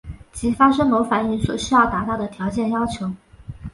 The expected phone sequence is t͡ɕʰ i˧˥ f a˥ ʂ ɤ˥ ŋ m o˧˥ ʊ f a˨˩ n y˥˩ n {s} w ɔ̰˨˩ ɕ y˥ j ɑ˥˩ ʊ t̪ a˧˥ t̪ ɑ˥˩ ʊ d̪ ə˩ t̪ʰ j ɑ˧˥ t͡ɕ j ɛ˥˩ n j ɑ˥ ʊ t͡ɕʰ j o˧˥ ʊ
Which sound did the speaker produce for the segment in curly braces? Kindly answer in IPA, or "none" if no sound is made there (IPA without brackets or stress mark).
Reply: s